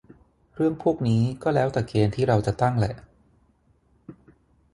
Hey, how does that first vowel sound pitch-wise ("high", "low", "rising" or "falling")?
falling